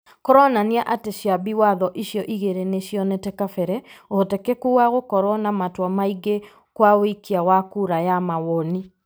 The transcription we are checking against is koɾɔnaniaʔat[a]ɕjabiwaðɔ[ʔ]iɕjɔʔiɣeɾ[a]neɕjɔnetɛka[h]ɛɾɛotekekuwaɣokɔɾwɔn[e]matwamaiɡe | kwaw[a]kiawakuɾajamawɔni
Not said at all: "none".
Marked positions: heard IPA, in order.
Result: e, ʔ, e, f, a, i

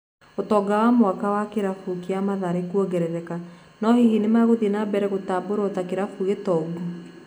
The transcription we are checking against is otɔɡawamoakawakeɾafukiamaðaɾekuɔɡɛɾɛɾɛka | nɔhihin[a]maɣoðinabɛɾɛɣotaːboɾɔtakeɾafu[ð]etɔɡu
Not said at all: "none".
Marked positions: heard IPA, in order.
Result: e, ɣ

